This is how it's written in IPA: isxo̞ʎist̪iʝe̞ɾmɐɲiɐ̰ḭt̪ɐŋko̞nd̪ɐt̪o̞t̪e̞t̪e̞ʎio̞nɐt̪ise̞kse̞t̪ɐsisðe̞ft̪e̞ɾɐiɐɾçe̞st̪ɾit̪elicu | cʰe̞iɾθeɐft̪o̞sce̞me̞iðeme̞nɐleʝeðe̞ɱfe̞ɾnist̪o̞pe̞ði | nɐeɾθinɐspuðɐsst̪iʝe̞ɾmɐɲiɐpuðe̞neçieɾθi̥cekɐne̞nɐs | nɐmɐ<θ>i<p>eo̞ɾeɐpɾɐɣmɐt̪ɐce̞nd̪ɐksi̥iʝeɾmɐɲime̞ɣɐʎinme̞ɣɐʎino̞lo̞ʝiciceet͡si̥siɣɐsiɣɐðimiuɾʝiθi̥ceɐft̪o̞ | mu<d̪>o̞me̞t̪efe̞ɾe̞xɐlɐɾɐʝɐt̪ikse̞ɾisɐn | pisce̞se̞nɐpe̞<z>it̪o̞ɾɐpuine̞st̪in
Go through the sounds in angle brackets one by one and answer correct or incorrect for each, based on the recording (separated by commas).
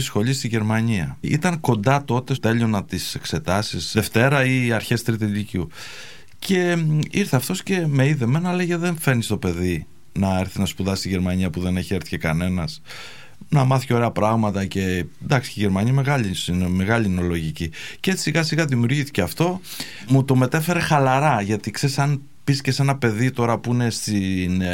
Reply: correct, incorrect, incorrect, incorrect